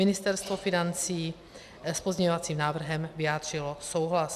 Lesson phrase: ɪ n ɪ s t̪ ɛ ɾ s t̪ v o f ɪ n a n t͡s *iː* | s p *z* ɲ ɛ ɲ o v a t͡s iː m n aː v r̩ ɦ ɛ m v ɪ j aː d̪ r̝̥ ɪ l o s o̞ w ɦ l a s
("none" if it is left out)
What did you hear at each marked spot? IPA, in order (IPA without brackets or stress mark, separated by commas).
iː, z